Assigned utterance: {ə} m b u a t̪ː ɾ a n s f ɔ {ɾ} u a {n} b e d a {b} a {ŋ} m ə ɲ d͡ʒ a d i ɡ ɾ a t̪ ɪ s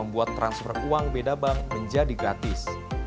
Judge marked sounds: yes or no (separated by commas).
yes, no, no, yes, yes